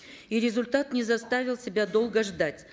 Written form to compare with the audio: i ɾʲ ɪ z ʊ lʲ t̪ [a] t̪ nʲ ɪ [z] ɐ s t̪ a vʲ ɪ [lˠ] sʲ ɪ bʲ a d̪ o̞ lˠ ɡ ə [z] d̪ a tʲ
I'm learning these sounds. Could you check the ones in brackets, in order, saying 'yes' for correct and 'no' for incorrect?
yes, yes, yes, no

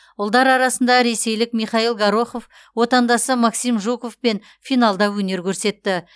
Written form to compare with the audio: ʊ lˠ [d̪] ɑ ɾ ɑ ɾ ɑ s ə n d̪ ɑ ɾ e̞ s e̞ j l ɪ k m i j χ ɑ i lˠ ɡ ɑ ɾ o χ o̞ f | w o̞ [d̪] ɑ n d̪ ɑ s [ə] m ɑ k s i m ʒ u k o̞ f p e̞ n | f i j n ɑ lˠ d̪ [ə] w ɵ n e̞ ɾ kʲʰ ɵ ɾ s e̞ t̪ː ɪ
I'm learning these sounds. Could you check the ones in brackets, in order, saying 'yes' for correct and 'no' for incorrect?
yes, no, yes, no

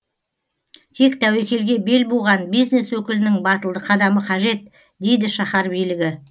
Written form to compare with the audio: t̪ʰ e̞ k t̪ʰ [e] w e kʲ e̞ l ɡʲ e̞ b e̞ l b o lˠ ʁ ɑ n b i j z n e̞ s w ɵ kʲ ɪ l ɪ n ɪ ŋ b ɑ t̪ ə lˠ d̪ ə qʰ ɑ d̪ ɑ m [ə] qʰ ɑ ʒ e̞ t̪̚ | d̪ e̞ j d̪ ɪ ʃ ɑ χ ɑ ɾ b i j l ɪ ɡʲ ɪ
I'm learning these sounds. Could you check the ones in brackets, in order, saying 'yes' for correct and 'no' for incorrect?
no, yes

